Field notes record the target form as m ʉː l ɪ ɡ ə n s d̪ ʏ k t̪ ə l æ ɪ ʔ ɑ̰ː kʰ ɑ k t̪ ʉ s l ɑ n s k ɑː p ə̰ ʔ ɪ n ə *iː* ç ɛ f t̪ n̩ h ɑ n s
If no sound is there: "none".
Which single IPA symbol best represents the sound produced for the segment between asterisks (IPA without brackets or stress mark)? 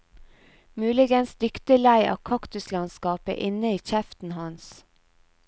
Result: iː